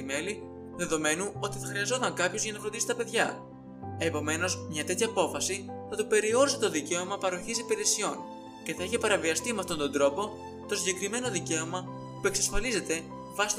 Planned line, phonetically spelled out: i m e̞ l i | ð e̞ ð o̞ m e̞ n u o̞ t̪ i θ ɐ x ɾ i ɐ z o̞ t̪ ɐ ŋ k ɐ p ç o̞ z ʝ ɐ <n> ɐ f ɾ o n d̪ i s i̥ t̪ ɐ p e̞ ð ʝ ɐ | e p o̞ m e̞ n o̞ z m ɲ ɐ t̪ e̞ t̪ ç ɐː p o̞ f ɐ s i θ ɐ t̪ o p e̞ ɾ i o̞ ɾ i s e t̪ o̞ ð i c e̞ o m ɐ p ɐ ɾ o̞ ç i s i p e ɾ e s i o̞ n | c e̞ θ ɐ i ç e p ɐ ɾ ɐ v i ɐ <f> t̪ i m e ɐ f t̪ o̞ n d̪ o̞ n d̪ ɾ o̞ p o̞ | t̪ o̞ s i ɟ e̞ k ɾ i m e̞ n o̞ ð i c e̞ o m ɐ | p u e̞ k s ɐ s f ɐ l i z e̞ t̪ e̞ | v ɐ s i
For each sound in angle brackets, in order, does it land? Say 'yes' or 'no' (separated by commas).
yes, no